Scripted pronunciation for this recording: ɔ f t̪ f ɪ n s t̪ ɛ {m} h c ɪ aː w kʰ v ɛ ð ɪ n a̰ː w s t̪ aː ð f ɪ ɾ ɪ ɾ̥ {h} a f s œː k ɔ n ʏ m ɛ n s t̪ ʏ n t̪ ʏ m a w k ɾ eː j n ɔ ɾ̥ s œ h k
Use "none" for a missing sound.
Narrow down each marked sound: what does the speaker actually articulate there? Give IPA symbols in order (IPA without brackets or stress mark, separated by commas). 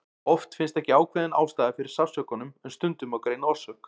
none, s